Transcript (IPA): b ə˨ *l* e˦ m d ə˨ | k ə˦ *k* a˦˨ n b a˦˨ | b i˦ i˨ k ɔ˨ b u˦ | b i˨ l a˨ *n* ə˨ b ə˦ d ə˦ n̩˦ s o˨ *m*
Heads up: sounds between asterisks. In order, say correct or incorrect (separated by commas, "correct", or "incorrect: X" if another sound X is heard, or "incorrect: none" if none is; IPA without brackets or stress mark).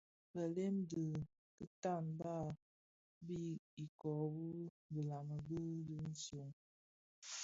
correct, incorrect: t, incorrect: m, incorrect: ŋ